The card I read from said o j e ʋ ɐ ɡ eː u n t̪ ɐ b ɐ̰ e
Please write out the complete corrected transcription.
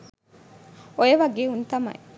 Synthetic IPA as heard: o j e ʋ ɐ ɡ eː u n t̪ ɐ m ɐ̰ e